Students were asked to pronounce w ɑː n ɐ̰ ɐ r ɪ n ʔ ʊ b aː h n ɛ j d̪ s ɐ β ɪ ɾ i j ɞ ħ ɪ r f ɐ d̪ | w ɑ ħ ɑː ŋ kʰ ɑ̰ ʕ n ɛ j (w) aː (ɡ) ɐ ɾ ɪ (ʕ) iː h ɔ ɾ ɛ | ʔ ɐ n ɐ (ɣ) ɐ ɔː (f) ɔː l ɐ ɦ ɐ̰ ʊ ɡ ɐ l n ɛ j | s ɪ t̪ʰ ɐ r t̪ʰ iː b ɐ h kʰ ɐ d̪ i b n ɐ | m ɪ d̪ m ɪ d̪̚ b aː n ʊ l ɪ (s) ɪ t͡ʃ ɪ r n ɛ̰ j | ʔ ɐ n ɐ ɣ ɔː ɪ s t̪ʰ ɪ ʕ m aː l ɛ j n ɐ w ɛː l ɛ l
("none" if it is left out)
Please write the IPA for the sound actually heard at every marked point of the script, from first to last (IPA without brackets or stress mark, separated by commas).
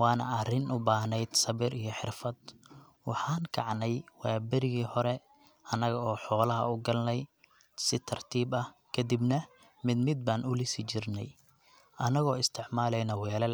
w, b, ɣ, ɣ, ħ, s